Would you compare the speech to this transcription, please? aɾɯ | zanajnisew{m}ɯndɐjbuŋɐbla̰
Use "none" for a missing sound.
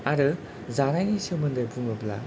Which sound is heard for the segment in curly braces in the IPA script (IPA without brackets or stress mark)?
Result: m